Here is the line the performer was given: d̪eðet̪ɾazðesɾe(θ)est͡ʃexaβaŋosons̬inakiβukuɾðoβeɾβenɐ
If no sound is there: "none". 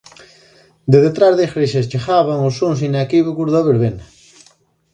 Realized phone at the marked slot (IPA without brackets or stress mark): ʃ